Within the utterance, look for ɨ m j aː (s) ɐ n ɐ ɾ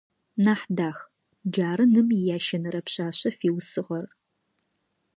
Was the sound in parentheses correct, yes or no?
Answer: no